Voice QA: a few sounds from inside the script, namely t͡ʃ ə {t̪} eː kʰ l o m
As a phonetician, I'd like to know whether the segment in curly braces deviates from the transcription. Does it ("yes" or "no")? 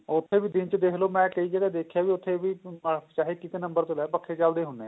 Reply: yes